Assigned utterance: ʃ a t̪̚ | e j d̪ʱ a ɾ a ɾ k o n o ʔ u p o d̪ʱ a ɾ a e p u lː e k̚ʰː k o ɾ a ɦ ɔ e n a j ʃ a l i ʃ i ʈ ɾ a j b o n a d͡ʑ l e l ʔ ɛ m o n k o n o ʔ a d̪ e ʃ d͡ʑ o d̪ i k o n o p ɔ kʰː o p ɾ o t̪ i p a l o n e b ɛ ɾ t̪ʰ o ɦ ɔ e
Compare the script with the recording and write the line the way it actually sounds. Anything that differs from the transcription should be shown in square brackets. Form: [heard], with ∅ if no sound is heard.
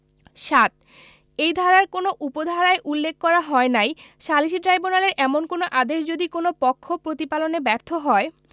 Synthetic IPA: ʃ a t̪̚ | e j d̪ʱ a ɾ a ɾ k o n o ʔ u p o d̪ʱ a ɾ a e [ʔ] u lː e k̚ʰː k [ɔ] ɾ a ɦ ɔ e n a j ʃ a l i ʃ i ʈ ɾ a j b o n a [∅] l e [ɾ] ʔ ɛ m o n k o n o ʔ a d̪ e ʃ d͡ʑ o d̪ i k o n o p ɔ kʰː o p ɾ o t̪ i p a l o n e b ɛ ɾ t̪ʰ o ɦ ɔ e